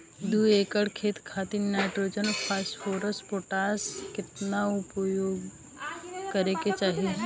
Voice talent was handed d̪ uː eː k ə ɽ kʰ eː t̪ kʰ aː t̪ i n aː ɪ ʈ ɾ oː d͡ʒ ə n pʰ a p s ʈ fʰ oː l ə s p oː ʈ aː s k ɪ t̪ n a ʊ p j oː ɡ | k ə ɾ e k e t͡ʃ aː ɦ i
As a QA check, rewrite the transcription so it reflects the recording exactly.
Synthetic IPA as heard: d̪ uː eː k ə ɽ kʰ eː t̪ kʰ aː t̪ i n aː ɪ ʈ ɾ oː d͡ʒ ə n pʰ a s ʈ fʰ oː ɾ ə s p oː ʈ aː s k ɪ t̪ n a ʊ p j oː ɡ | k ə ɾ e k e t͡ʃ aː ɦ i